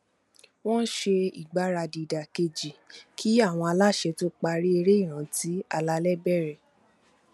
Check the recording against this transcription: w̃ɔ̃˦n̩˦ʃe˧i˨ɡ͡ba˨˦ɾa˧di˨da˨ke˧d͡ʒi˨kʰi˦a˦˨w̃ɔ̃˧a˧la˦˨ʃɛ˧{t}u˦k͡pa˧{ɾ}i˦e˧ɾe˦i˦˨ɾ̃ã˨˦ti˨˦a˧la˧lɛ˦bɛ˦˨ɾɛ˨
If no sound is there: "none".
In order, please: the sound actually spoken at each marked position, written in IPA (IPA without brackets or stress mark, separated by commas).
t, ɾ